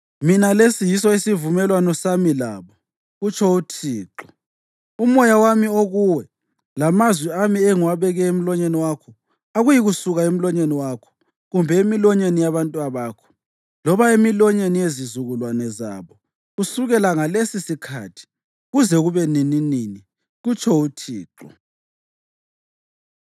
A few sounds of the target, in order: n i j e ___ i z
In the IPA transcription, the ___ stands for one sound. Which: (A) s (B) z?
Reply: B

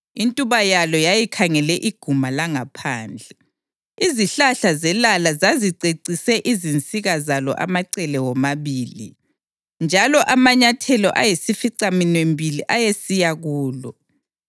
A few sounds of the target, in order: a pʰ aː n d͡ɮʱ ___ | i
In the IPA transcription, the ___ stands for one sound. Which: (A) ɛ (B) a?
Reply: A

